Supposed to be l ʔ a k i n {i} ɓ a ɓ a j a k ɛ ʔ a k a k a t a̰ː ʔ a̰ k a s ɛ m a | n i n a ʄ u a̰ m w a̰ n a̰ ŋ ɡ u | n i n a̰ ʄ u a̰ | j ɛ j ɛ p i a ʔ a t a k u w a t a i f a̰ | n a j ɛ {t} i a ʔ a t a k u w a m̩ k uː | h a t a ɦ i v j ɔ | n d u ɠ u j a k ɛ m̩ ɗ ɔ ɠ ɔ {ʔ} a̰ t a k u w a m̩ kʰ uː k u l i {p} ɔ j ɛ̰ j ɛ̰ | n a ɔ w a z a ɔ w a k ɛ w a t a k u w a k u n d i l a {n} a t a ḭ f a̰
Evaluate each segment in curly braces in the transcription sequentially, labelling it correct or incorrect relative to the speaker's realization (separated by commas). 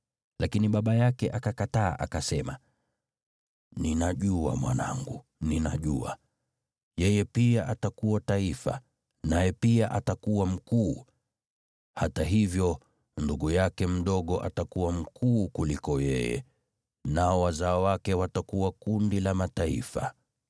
correct, incorrect, correct, incorrect, incorrect